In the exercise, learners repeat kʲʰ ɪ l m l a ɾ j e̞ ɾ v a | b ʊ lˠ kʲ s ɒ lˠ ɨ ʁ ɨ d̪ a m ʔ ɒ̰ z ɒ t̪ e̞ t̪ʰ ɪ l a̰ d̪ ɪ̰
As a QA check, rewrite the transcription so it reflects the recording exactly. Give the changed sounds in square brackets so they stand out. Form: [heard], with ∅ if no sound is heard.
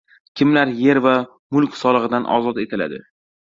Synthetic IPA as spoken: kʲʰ ɪ [∅] m l a ɾ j e̞ ɾ v a | [m] ʊ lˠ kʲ s ɒ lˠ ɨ ʁ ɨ d̪ a [n] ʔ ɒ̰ z ɒ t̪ e̞ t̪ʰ ɪ l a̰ d̪ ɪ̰